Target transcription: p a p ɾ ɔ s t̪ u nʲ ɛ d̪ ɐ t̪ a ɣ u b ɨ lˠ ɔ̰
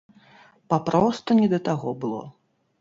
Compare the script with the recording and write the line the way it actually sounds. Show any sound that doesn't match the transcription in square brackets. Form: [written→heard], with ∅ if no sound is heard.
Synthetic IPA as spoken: p a p ɾ ɔ s t̪ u nʲ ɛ d̪ ɐ t̪ a ɣ [u→ɔ] b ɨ lˠ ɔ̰